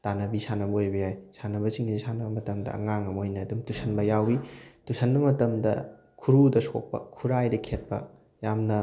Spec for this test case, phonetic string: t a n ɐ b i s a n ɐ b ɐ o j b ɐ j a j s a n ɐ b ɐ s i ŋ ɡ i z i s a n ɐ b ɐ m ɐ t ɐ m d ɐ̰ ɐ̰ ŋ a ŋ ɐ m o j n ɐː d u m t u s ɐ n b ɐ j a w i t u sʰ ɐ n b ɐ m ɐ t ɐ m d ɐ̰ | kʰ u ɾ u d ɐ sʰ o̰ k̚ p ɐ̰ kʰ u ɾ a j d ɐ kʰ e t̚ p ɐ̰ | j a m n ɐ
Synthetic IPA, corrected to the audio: t a n ɐ b i s a n ɐ b ɐ o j b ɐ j a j s a n ɐ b ɐ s i ŋ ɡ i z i s a n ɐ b ɐ m ɐ t ɐ m d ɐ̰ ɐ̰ ŋ a ŋ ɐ m o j n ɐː d u m t u s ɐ n b ɐ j a w i t u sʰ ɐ n b ɐ m ɐ t ɐ m d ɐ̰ | kʰ u ɾ u d ɐ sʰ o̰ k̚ p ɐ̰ kʰ u ɾ a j d ɐ kʰ e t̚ p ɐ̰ | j a m n ɐ